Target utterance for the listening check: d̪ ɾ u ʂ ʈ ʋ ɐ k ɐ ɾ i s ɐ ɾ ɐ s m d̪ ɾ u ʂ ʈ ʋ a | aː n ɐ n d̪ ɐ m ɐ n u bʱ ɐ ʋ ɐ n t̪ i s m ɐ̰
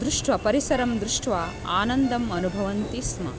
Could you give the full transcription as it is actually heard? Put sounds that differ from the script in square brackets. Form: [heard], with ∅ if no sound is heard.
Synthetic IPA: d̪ ɾ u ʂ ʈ ʋ ɐ [p] ɐ ɾ i s ɐ ɾ ɐ [∅] m d̪ ɾ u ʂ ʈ ʋ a | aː n ɐ n d̪ ɐ m ɐ n u bʱ ɐ ʋ ɐ n t̪ i s m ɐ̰